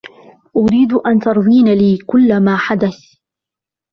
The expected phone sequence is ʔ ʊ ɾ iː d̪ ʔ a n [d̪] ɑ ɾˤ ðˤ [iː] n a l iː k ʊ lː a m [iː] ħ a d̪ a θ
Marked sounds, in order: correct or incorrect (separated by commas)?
incorrect, correct, incorrect